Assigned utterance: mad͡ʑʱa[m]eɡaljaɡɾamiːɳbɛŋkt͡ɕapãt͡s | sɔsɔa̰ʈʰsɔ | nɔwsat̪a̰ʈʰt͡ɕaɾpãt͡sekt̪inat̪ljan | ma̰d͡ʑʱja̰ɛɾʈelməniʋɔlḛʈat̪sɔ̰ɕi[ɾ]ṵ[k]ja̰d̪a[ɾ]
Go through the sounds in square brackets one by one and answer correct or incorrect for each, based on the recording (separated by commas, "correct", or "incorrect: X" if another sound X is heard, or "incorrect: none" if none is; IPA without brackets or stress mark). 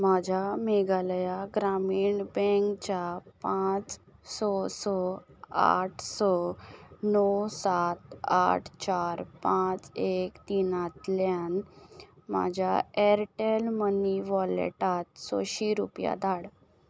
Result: correct, correct, incorrect: p, incorrect: ɽ